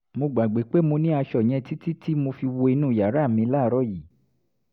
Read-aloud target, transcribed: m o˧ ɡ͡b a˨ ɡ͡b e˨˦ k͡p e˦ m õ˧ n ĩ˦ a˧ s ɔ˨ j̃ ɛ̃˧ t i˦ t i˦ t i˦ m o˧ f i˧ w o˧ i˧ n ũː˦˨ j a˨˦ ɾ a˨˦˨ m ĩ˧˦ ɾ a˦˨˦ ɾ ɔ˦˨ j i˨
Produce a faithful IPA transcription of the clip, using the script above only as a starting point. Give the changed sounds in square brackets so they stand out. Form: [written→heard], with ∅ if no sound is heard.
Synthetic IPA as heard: m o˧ ɡ͡b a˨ ɡ͡b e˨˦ k͡p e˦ m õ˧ n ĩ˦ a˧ [s→ʃ] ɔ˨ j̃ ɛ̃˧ t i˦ t i˦ t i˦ m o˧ f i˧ w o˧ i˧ n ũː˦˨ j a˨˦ ɾ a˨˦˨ m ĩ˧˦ [ɾ→l] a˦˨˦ ɾ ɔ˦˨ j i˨